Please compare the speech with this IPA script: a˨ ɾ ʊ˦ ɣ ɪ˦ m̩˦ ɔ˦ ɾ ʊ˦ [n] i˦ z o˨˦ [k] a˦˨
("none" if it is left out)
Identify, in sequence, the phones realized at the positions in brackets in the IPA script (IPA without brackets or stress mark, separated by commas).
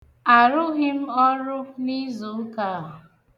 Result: n, k